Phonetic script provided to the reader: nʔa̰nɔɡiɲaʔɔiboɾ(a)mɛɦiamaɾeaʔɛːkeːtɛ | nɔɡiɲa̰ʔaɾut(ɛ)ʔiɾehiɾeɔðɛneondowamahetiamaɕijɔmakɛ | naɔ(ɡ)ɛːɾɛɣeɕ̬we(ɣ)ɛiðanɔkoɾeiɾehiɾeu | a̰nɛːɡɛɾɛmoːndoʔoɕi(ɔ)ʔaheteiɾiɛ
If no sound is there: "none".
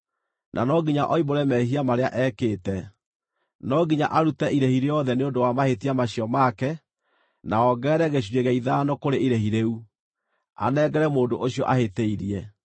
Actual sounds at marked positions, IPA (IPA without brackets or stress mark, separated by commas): ɛ, ɛ, ɡ, ɣ, ɔ